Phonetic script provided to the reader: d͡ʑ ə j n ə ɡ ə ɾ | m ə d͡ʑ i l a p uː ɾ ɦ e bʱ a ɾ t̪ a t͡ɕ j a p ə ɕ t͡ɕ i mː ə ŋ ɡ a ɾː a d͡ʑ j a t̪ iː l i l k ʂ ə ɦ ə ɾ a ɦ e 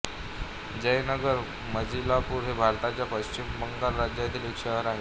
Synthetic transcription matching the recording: d͡ʑ ə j n ə ɡ ə ɾ | m ə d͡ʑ i l a p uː ɾ ɦ e bʱ a ɾ t̪ a t͡ɕ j a p ə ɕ t͡ɕ i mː ə ŋ ɡ a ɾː a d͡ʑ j a t̪ iː l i k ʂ ə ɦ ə ɾ a ɦ e